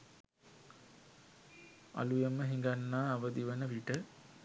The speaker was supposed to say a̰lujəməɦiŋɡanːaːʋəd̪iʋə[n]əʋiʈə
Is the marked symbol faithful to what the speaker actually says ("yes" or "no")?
yes